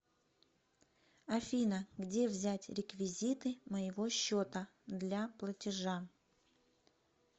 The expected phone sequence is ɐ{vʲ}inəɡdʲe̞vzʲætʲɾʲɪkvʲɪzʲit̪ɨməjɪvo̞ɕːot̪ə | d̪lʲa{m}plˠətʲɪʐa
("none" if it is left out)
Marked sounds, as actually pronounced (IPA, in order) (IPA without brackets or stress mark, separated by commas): fʲ, none